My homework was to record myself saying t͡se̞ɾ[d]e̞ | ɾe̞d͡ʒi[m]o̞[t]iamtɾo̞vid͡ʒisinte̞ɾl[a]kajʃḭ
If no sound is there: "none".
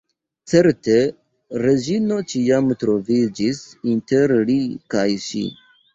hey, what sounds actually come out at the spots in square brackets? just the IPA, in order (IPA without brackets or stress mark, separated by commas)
t, n, t͡ʃ, i